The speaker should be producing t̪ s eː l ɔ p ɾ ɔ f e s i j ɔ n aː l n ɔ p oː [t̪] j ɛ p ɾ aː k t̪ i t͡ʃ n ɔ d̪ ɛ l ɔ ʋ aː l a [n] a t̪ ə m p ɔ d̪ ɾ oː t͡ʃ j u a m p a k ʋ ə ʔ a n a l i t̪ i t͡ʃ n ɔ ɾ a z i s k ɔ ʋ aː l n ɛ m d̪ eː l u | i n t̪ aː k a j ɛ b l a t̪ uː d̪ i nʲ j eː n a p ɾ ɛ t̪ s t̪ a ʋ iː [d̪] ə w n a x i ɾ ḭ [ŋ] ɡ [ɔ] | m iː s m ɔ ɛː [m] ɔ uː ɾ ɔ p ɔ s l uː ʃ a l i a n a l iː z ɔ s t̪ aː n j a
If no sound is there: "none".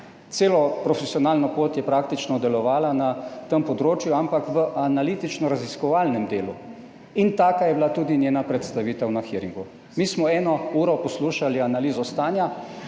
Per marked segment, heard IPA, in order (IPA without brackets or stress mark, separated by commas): t̪, n, t̪, ŋ, u, n